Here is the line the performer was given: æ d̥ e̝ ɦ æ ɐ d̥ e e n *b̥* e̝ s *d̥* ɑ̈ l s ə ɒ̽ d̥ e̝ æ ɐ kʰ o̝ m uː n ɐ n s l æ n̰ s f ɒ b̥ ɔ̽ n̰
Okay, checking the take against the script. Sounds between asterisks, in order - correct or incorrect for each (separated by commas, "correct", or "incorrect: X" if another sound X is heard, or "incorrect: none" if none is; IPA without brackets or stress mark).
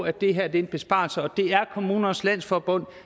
correct, incorrect: b̥